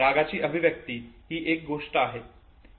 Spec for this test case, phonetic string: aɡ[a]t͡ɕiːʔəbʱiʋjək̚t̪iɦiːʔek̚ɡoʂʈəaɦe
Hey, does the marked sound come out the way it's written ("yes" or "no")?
yes